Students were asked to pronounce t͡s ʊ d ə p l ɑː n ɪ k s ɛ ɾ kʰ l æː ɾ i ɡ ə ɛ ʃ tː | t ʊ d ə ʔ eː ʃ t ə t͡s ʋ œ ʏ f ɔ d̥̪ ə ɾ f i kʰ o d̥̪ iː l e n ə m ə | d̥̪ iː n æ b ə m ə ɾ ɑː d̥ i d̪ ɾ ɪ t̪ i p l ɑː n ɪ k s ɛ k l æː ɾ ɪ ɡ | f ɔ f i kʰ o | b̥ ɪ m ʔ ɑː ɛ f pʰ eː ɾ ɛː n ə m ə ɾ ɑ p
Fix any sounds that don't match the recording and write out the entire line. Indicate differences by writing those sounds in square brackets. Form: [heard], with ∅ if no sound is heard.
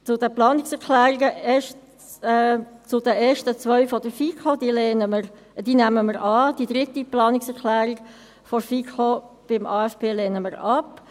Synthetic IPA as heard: t͡s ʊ d ə p l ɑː n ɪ k s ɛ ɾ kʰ l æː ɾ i ɡ ə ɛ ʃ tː | [t͡s] ʊ d ə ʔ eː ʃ t ə t͡s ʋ œ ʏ f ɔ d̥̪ ə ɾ f i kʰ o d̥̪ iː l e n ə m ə | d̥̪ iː n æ [m] ə m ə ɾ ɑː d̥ i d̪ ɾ ɪ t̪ i p l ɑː n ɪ k s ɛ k l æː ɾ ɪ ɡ | f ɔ f i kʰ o | b̥ ɪ m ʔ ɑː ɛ f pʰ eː [l] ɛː n ə m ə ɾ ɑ p